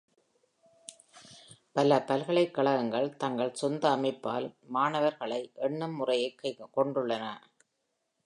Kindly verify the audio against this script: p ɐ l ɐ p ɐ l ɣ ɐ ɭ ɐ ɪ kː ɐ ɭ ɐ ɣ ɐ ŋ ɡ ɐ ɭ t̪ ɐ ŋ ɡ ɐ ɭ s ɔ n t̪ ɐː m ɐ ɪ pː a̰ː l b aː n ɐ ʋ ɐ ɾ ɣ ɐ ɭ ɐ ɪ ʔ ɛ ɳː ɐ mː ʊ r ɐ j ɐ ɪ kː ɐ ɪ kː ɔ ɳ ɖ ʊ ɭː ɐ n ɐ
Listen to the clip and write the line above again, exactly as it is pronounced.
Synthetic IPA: p ɐ l ɐ p ɐ l ɣ ɐ ɭ ɐ ɪ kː ɐ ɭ ɐ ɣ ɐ ŋ ɡ ɐ ɭ t̪ ɐ ŋ ɡ ɐ ɭ s ɔ n d̪ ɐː m ɐ ɪ pː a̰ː l m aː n ɐ ʋ ɐ ɾ ɣ ɐ ɭ ɐ ɪ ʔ ɛ ɳː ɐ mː ʊ r ɐ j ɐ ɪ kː ɐ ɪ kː ɔ ɳ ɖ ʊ ɭː ɐ n ɐ

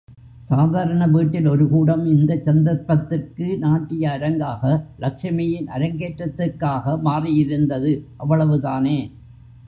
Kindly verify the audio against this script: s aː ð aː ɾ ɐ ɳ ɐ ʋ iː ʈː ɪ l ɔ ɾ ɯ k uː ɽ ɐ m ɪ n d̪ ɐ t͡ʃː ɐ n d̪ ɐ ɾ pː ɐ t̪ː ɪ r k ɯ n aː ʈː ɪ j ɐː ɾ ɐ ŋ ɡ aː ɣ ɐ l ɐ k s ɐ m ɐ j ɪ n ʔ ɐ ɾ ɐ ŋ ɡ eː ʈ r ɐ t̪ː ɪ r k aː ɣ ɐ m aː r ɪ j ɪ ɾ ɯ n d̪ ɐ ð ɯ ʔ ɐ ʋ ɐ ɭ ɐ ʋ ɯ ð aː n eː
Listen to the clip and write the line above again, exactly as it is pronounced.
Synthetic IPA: s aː ð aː ɾ ɐ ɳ ɐ ʋ iː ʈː ɪ l ɔ ɾ ɯ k uː ɽ ɐ m ɪ n d̪ ɐ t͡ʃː ɐ n d̪ ɐ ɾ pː ɐ t̪ː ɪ r k ɯ n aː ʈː ɪ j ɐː ɾ ɐ ŋ ɡ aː ɣ ɐ l ɐ k ʂ ɐ m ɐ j ɪ n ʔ ɐ ɾ ɐ ŋ ɡ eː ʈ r ɐ t̪ː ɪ r k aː ɣ ɐ m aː r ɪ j ɪ ɾ ɯ n d̪ ɐ ð ɯ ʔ ɐ ʋː ɐ ɭ ɐ ʋ ɯ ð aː n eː

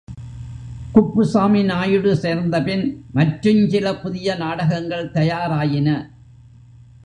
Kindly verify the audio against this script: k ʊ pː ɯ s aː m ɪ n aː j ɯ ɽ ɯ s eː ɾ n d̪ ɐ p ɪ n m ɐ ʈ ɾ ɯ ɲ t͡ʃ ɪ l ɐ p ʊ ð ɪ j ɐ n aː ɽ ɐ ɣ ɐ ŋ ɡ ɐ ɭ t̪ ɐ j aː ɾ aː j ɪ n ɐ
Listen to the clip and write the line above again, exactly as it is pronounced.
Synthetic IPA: k ʊ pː ɯ s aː m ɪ n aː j ɯ ɽ ɯ s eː ɾ n d̪ ɐ p ɪ n m ɐ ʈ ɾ ɯ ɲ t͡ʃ ɪ l ɐ p ʊ ð ɪ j ɐ n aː ɽ ɐ ɣ ɐ ŋ ɡ ɐ ɭ t̪ ɐ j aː ɾ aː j ɪ n ɐ

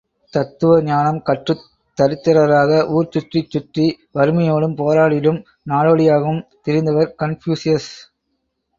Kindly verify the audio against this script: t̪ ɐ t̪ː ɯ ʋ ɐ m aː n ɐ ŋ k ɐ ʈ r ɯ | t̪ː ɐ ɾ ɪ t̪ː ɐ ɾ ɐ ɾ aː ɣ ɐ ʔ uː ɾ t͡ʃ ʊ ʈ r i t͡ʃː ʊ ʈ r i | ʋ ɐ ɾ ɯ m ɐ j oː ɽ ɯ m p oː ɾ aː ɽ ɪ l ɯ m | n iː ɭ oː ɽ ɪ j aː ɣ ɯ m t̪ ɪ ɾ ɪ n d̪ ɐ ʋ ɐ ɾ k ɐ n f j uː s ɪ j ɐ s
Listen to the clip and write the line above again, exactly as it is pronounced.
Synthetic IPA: t̪ ɐ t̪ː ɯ ʋ ɐ ɲ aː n ɐ m k ɐ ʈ r ɯ | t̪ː ɐ ɾ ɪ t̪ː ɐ ɾ ɐ ɾ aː ɣ ɐ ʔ uː ɾ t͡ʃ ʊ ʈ r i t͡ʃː ʊ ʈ r i | ʋ ɐ ɾ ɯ m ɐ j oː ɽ ɯ m p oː ɾ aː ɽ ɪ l ɯ m | n aː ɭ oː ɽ ɪ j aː ɣ ɯ m t̪ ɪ ɾ ɪ n d̪ ɐ ʋ ɐ ɾ k ɐ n f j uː s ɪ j ɐ s

